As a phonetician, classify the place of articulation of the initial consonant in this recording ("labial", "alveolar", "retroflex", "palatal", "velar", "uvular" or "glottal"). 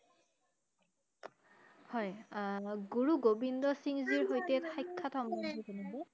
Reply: glottal